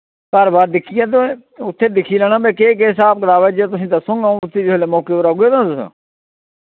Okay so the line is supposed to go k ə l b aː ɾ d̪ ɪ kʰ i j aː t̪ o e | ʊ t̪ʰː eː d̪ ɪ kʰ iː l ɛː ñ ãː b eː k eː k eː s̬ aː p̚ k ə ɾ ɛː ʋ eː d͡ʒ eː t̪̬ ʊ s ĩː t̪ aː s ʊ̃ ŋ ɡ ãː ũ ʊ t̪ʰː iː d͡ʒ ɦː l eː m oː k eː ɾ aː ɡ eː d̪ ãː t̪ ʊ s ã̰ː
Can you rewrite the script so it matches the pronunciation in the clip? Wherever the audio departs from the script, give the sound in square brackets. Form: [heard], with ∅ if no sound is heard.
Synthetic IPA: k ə [ɾ] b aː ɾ d̪ ɪ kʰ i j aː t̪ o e | ʊ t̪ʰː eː d̪ ɪ kʰ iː l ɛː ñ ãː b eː k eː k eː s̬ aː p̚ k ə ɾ [aː] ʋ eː d͡ʒ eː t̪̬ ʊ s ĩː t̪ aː s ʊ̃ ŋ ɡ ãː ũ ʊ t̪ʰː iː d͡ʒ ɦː l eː m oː k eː ɾ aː ɡ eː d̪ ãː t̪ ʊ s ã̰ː